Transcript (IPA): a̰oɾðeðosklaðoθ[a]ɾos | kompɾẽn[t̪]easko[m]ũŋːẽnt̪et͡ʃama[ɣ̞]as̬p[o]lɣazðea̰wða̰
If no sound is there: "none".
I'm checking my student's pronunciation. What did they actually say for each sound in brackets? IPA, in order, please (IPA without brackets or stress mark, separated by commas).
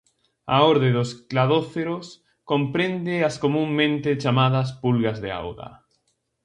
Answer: e, d̪, m, ð̞, u